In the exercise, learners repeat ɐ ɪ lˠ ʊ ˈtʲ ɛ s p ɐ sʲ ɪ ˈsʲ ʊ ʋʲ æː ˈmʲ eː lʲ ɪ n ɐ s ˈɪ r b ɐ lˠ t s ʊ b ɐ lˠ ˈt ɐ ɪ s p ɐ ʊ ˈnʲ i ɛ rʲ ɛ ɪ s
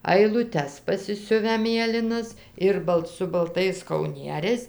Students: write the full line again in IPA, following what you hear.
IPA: ɐ ɪ lˠ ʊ ˈtʲ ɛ s p ɐ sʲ ɪ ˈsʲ ʊ ʋʲ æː ˈmʲ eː lʲ ɪ n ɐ s ˈɪ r b ɐ lˠ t s ʊ b ɐ lˠ ˈt ɐ ɪ s k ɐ ʊ ˈnʲ i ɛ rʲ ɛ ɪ s